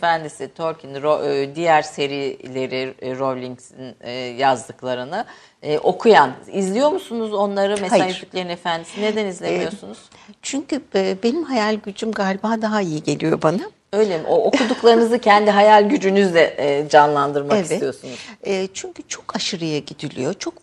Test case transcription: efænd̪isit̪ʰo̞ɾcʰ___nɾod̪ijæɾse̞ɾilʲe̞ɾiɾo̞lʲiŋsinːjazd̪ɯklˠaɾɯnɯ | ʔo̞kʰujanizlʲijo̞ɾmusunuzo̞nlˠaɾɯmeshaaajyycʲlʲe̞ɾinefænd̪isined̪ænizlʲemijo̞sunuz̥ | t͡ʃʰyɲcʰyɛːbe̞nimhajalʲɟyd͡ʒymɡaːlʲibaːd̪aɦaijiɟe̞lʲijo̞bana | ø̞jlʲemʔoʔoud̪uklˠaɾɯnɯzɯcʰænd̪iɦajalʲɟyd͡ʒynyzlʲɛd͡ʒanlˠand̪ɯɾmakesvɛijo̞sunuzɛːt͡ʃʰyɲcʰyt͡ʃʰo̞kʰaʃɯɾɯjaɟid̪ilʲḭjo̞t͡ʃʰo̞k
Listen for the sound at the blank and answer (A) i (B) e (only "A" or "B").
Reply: A